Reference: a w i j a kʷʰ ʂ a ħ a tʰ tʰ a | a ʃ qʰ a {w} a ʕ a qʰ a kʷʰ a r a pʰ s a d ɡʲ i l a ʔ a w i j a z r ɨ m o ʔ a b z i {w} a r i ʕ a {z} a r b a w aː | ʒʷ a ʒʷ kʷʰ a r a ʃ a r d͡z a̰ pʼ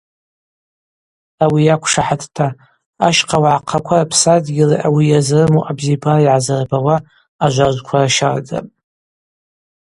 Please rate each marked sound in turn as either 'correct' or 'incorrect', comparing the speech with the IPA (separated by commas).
correct, incorrect, correct